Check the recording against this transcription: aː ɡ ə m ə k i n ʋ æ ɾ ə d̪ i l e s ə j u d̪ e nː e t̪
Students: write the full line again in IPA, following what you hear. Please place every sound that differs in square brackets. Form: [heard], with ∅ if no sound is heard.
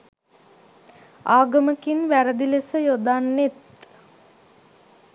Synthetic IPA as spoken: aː ɡ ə m ə k i n ʋ æ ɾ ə d̪ i l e s ə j [o] d̪ [a] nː e t̪

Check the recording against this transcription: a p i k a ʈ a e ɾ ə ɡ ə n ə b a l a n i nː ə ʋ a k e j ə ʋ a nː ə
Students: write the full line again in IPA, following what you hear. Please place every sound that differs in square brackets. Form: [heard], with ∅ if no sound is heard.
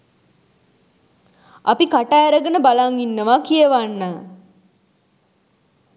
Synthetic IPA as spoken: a p i k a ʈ a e ɾ ə ɡ ə n ə b a l a [ŋ] i nː ə ʋ a k [i] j ə ʋ a nː ə

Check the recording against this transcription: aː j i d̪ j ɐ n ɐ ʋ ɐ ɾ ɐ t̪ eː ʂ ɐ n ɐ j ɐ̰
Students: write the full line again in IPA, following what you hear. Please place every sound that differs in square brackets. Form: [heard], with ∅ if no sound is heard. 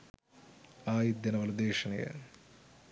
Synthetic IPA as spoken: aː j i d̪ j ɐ n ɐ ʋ ɐ [l] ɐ [d̪] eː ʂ ɐ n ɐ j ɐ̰

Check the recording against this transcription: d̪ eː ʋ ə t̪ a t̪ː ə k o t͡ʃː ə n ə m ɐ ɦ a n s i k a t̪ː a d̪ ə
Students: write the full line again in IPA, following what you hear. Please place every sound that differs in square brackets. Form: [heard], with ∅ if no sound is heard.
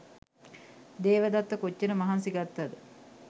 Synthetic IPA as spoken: d̪ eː ʋ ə [d̪] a t̪ː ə k o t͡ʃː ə n ə m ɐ ɦ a n s i [ɡ] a t̪ː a d̪ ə

